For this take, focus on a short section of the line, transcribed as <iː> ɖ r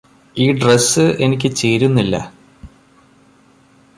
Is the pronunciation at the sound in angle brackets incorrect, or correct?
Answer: correct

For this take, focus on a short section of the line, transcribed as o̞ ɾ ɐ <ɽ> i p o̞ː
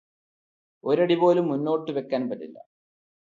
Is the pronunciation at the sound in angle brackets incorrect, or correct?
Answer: correct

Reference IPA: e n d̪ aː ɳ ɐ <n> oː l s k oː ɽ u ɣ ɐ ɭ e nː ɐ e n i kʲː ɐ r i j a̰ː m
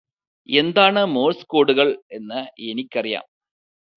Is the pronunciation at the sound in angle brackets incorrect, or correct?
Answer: incorrect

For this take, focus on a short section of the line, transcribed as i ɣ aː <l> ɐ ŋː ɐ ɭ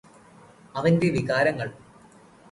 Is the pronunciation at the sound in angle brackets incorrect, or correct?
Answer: incorrect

